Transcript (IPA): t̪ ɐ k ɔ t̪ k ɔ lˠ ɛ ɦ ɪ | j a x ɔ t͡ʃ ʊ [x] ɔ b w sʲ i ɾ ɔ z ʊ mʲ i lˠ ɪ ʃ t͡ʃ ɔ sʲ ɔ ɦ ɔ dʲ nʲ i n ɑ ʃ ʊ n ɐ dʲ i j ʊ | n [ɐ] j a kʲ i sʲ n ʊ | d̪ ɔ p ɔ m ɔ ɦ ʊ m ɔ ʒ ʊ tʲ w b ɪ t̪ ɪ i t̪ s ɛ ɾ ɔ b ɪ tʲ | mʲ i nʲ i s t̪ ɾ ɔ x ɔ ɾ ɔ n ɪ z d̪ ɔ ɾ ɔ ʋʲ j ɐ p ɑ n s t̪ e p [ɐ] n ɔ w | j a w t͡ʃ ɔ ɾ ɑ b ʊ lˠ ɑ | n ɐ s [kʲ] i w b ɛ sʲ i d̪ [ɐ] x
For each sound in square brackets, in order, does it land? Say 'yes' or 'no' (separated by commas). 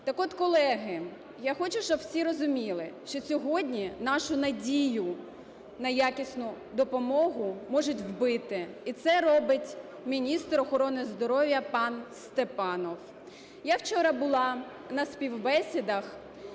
no, yes, no, no, yes